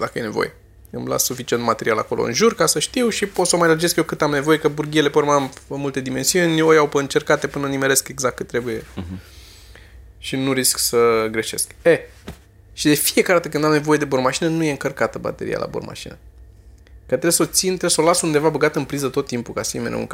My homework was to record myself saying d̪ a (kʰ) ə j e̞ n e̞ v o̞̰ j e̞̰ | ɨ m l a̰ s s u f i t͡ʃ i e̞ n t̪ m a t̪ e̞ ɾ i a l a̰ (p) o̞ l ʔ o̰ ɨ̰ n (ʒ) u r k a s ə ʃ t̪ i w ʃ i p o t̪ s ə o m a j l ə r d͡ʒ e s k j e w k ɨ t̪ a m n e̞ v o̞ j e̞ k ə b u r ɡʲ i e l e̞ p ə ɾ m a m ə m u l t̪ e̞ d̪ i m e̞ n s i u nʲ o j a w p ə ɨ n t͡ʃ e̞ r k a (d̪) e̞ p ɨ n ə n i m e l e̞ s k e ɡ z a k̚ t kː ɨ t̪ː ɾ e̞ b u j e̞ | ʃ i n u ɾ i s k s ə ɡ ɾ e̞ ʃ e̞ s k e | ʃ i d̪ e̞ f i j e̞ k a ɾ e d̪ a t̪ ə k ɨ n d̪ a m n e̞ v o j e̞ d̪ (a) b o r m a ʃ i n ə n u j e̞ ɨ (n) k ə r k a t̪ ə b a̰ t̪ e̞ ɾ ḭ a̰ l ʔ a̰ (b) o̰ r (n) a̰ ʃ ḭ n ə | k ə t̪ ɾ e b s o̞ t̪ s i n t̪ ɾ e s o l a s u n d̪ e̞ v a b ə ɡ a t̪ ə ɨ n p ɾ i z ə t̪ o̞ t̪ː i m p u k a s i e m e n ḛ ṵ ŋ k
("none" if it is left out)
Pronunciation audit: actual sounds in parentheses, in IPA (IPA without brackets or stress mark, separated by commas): k, k, ʒ, t̪, e, ŋ, b, m